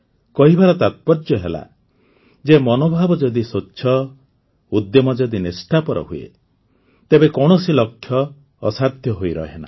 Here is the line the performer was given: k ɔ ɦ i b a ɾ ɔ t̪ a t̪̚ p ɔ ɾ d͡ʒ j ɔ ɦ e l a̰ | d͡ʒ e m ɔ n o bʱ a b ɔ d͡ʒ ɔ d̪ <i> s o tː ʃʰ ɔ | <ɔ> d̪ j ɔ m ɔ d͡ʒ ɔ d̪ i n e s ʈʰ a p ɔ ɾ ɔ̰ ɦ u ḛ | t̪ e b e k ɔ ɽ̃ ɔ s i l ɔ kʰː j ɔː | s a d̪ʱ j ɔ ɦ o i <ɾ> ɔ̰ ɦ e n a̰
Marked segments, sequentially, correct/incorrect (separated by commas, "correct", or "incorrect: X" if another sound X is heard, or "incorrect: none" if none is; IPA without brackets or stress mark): correct, incorrect: u, correct